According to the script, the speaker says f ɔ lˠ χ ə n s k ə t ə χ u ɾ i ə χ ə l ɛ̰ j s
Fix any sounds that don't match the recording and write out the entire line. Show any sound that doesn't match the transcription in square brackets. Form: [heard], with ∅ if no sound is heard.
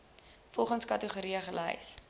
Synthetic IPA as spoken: f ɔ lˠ χ ə n s k [ɐ] t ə χ u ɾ i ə χ ə l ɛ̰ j s

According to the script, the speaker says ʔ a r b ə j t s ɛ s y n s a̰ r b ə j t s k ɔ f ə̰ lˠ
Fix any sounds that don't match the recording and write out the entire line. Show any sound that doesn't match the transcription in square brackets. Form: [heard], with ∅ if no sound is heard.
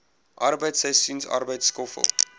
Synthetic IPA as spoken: ʔ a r b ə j t s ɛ s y n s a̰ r b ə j t s k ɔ f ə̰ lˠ

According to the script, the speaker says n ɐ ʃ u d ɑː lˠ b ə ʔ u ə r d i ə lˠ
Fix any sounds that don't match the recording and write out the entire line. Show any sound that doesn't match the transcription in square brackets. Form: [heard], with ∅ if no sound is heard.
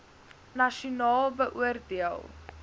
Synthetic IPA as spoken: n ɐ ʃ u [n] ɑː lˠ b ə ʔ u ə r d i ə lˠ

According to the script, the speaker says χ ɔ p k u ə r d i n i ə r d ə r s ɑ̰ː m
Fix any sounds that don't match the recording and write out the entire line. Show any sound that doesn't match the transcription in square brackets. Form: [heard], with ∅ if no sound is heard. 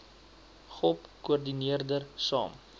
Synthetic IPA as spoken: χ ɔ p k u ə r d i n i ə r d ə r s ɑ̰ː m

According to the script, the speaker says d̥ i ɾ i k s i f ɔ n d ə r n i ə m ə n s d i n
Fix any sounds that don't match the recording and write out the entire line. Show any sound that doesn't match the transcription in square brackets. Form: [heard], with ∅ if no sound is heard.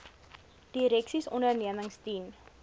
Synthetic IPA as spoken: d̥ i ɾ [ɛ] k s i [s] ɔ n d ə r n i ə m ə [ŋ] s [t] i n

